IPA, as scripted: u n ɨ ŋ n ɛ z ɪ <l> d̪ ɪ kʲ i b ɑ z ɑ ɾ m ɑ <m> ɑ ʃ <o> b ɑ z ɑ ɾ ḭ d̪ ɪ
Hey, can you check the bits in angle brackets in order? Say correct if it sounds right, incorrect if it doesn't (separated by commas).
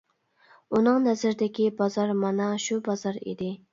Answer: incorrect, incorrect, incorrect